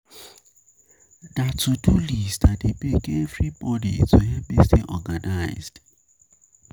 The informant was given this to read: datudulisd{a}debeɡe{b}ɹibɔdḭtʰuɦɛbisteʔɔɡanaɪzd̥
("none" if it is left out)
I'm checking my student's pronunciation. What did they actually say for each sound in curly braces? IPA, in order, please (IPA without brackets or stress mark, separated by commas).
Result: a, v